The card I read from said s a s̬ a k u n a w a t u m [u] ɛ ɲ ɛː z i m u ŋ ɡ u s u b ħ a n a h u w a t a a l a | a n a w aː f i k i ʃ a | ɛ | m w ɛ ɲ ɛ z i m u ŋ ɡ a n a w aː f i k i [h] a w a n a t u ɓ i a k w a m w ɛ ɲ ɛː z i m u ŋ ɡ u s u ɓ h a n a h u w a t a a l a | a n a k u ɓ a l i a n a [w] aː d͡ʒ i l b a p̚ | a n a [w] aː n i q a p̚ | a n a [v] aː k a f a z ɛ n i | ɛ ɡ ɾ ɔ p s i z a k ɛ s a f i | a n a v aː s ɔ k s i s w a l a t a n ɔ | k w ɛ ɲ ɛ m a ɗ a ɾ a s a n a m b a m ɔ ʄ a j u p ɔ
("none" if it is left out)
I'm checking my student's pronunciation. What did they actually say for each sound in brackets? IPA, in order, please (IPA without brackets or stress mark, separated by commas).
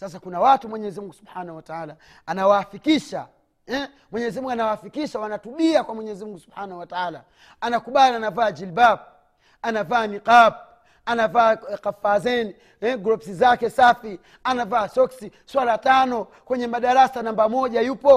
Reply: w, ʃ, v, v, v